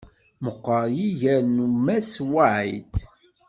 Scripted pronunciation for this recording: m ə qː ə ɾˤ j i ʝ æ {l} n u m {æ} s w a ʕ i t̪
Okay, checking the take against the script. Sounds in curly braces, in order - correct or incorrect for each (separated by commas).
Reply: incorrect, correct